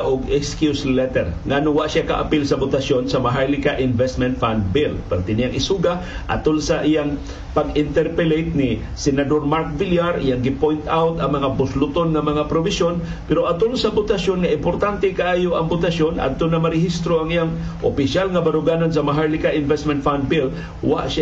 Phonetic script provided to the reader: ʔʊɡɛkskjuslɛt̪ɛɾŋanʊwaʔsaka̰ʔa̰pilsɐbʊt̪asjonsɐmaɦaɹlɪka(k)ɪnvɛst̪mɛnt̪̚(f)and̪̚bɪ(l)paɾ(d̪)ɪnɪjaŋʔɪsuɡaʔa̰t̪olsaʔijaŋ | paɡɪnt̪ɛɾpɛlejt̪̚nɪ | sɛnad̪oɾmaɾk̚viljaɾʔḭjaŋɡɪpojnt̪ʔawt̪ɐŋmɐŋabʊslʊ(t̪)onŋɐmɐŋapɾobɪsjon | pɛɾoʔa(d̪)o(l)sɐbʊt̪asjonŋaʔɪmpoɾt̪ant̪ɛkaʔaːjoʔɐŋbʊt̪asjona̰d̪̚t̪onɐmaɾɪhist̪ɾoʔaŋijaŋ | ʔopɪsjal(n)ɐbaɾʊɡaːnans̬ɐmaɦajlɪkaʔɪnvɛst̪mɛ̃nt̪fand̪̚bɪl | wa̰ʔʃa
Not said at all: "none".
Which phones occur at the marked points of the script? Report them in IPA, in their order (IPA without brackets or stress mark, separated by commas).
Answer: ʔ, f, l, t̪, t̪, t̪, l, ŋ